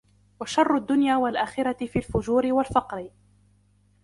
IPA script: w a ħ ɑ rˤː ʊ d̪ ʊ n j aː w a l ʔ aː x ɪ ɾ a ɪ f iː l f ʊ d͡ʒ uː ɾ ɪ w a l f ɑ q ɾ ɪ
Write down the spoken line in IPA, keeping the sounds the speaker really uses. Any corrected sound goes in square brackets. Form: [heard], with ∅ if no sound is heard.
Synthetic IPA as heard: w a [ʃ] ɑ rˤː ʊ [d̪ː] ʊ n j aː w a l ʔ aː x ɪ ɾ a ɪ f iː l f ʊ d͡ʒ uː ɾ ɪ w a l f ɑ q ɾ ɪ